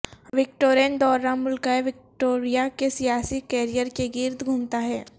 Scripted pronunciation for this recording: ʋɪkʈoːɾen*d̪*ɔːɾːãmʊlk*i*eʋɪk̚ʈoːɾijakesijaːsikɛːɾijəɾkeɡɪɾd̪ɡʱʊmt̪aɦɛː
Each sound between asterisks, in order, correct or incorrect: correct, incorrect: a

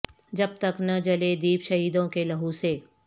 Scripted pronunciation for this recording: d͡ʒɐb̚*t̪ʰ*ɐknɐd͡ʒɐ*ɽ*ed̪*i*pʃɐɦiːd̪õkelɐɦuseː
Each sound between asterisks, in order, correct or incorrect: incorrect: t̪, incorrect: l, incorrect: iː

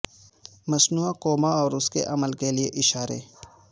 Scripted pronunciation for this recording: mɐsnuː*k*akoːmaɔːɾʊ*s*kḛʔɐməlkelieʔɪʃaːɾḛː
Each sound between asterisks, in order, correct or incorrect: incorrect: none, correct

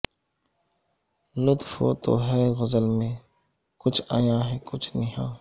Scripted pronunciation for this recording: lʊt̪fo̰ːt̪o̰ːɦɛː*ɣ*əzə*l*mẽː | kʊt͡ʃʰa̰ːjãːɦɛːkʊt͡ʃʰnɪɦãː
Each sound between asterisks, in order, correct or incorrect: correct, correct

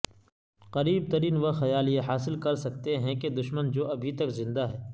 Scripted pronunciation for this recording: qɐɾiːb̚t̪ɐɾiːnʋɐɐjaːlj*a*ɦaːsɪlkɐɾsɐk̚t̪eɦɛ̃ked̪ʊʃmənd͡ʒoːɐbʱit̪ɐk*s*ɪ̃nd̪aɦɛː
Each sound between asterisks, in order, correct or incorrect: incorrect: e, incorrect: z

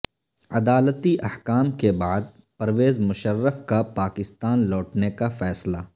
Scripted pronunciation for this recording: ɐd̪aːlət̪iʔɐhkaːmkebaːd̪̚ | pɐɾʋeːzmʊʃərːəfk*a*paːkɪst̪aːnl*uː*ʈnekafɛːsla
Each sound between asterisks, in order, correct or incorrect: correct, incorrect: ɔː

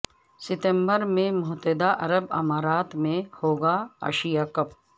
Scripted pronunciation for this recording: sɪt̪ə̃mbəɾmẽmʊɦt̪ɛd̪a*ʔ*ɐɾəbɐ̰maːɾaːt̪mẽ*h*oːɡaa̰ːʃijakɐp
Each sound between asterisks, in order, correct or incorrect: correct, correct

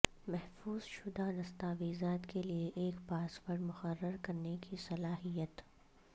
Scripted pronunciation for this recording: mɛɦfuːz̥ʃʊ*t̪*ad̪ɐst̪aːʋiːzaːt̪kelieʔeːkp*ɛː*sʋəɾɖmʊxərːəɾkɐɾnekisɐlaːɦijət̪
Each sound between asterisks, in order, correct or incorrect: incorrect: d̪, incorrect: aː

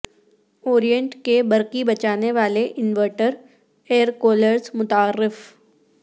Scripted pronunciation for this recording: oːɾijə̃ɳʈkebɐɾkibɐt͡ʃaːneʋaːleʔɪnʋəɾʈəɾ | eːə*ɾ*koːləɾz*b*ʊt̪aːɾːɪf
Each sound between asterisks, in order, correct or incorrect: correct, incorrect: m

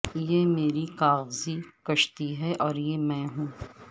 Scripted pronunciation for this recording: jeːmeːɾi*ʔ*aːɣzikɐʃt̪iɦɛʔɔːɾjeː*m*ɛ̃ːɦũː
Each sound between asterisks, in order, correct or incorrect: incorrect: k, correct

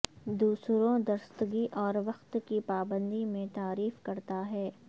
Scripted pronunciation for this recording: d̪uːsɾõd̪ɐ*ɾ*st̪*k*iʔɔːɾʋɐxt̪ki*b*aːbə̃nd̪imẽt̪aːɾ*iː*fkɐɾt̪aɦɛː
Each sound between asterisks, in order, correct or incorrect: correct, incorrect: ɡ, incorrect: p, correct

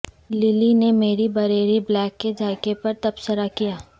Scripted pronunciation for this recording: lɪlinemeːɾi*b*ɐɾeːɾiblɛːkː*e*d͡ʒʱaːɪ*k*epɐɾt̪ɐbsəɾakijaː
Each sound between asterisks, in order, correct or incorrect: correct, correct, correct

